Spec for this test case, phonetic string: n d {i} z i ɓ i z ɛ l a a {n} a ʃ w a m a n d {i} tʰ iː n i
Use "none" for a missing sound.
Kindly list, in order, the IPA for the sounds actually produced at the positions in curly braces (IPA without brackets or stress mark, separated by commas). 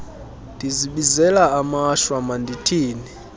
i, m, i